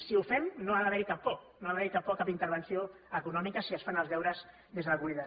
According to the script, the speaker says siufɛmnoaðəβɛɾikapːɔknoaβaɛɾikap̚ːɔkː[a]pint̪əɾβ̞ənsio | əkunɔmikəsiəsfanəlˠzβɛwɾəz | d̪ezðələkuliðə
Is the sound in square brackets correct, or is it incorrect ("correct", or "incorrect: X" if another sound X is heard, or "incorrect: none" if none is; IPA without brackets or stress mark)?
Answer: correct